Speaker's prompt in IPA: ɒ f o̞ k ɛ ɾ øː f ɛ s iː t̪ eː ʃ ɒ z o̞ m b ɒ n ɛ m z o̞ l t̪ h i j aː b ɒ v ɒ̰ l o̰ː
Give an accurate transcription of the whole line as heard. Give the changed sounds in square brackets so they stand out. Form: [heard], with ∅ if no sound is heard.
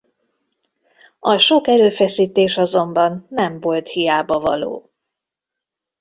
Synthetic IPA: ɒ [ʃ] o̞ k ɛ ɾ øː f ɛ s iː t̪ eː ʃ ɒ z o̞ m b ɒ [nː] ɛ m [v] o̞ l t̪ h i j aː b ɒ v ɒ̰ l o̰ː